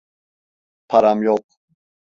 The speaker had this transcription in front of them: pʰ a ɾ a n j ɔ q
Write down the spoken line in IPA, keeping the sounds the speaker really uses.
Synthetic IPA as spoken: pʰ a ɾ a m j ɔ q